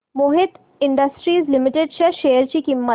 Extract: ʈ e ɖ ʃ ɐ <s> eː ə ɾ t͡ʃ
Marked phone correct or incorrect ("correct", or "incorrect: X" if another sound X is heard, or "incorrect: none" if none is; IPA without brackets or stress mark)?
incorrect: ʃ